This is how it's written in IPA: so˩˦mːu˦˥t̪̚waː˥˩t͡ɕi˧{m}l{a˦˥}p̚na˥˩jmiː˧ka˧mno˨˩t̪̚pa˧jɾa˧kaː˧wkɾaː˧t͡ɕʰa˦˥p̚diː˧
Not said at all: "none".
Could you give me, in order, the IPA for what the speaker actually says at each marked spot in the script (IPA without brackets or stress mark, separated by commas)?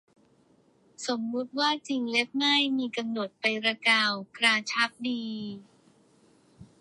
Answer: ŋ, e˦˥